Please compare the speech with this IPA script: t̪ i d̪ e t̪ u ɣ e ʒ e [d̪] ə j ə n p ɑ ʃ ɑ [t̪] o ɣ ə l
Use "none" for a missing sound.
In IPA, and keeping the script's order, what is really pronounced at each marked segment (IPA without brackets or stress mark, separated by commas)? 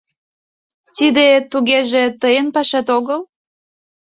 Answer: t̪, t̪